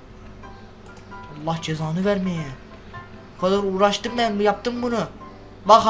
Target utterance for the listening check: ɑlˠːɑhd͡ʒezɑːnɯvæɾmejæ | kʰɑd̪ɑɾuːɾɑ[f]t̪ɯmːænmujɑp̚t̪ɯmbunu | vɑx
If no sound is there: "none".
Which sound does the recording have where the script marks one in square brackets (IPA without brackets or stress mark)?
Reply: ʃ